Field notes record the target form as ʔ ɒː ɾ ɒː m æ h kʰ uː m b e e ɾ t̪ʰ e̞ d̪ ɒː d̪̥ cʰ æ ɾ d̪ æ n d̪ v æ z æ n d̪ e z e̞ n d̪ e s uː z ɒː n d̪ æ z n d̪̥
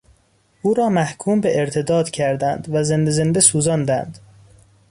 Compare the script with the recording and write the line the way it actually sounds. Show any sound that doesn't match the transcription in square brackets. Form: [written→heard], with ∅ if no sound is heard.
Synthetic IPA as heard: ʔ [ɒː→uː] ɾ ɒː m æ h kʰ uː m b e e ɾ t̪ʰ e̞ d̪ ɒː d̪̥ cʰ æ ɾ d̪ æ n d̪ v æ z [æ→e] n d̪ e z e̞ n d̪ e s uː z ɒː n d̪ æ [z→∅] n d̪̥

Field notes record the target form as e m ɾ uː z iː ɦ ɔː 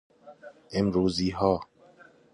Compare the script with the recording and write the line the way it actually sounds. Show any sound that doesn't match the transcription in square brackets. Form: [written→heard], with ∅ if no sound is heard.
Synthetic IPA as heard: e m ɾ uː z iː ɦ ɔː

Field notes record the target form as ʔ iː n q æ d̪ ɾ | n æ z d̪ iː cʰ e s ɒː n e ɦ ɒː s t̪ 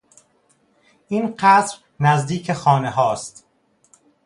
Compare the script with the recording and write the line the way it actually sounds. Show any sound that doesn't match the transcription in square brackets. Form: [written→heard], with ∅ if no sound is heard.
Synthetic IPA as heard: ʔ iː n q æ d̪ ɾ | n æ z d̪ iː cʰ e [s→x] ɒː n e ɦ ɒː s t̪

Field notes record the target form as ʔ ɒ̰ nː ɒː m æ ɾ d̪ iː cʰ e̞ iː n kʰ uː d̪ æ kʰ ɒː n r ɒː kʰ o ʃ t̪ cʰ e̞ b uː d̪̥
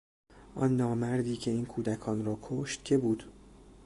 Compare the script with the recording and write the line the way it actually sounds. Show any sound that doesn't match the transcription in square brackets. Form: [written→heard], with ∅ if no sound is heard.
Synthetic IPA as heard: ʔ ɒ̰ nː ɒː m æ ɾ d̪ iː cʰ e̞ iː n kʰ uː d̪ æ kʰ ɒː n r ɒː kʰ o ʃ t̪ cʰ e̞ b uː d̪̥

